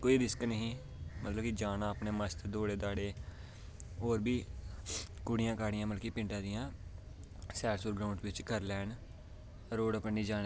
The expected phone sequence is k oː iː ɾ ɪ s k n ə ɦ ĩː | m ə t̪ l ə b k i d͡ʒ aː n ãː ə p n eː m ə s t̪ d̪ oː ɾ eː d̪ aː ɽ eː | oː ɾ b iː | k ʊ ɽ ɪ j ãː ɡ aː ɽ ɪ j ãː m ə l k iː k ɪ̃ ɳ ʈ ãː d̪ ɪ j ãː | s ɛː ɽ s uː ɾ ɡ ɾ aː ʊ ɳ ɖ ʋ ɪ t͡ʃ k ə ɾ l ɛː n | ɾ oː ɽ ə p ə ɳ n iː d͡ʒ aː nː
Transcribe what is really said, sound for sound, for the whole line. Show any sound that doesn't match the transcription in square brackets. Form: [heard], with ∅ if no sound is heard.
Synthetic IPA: k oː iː ɾ ɪ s k n ə ɦ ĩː | m ə t̪ l ə b k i d͡ʒ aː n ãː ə p n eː m ə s t̪ d̪ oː [ɽ] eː d̪ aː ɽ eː | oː ɾ b iː | k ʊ ɽ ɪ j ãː [k] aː ɽ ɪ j ãː m ə l k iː [p] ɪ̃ ɳ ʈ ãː d̪ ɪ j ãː | s ɛː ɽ s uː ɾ ɡ ɾ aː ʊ ɳ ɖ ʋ ɪ t͡ʃ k ə ɾ l ɛː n | ɾ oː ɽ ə p ə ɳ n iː d͡ʒ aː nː